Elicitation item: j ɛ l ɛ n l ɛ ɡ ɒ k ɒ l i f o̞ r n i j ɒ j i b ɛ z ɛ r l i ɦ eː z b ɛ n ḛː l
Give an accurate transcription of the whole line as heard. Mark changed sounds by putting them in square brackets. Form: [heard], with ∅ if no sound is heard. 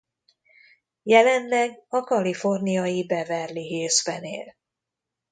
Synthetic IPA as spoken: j ɛ l ɛ n l ɛ ɡ ɒ k ɒ l i f o̞ r n i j ɒ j i b ɛ [v] ɛ r l i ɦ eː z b ɛ n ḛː l